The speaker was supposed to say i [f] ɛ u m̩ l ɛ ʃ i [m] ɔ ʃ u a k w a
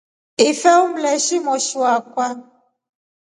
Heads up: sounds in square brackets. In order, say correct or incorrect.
correct, correct

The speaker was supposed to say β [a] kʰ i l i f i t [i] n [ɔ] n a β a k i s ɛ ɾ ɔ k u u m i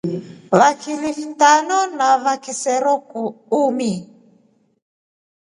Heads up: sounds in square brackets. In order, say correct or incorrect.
correct, incorrect, correct

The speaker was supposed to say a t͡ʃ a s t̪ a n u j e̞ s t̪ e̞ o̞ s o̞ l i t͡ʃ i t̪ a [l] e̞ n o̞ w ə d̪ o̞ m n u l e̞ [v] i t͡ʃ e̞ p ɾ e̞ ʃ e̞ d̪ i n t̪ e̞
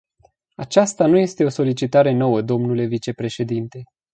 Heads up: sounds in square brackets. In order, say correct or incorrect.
incorrect, correct

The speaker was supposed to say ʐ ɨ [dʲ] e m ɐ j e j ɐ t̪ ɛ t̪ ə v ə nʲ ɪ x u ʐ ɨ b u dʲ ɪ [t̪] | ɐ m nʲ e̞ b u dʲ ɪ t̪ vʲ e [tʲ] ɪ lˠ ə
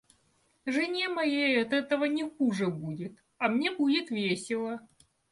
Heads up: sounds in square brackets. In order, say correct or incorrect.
incorrect, correct, incorrect

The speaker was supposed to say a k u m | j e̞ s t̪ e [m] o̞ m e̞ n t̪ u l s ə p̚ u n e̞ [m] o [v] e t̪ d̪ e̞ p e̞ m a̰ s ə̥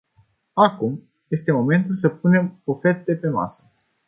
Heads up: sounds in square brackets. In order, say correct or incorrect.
correct, correct, incorrect

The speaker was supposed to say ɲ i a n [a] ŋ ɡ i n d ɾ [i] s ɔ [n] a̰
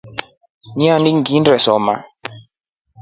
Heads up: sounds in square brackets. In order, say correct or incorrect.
incorrect, incorrect, incorrect

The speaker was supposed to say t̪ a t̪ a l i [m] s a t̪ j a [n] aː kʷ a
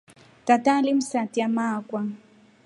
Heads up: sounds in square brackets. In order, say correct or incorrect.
correct, incorrect

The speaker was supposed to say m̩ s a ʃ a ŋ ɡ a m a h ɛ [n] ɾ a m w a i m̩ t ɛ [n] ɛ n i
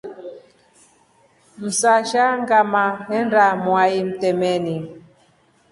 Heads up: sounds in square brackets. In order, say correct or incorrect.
correct, incorrect

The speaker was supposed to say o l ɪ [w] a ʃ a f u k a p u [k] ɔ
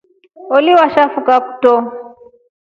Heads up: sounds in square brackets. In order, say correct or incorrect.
correct, incorrect

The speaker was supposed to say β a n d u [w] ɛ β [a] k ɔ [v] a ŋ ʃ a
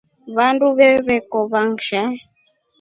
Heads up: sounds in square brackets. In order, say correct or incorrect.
incorrect, incorrect, incorrect

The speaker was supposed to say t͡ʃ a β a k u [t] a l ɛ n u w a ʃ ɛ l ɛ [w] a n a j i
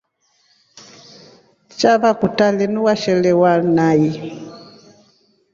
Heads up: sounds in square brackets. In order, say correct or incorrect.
correct, correct

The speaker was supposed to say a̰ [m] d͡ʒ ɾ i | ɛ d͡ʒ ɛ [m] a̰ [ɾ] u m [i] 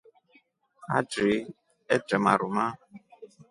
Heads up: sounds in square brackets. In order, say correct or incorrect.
incorrect, correct, correct, incorrect

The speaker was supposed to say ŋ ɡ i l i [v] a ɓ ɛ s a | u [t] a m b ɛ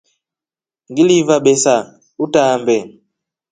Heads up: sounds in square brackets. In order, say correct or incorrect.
correct, correct

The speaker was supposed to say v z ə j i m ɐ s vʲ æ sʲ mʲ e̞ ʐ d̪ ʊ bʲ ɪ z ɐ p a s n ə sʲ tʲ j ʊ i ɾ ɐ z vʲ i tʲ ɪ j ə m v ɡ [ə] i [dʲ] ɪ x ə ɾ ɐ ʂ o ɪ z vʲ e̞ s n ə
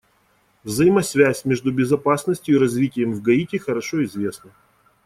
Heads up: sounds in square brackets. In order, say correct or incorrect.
incorrect, incorrect

